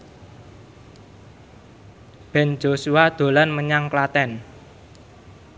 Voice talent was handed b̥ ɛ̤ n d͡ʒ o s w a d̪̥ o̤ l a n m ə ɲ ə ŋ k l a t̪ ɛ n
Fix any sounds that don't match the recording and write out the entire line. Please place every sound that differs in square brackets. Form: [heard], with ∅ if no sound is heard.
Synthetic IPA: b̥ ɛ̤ n d͡ʒ o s [u] a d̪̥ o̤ l a n m ə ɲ [a] ŋ k l a t̪ ɛ n